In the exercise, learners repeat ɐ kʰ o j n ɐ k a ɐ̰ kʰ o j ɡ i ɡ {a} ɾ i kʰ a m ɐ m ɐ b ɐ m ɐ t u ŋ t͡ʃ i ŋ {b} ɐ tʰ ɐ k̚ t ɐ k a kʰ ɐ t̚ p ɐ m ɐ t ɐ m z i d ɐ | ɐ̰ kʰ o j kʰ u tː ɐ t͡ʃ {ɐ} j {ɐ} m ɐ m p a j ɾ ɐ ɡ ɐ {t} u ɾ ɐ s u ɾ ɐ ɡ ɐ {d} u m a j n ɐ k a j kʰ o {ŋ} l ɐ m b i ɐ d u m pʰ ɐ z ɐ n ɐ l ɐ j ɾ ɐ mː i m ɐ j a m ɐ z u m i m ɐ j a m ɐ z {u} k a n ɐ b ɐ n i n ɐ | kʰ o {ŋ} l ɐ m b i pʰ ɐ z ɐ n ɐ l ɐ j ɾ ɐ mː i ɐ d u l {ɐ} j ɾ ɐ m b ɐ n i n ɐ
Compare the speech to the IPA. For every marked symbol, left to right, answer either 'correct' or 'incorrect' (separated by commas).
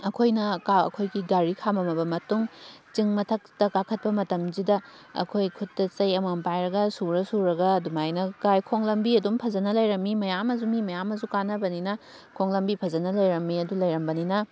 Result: correct, incorrect, correct, correct, incorrect, correct, correct, correct, correct, correct